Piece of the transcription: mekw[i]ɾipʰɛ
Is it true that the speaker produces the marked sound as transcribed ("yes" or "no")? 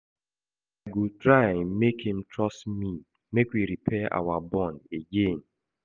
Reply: yes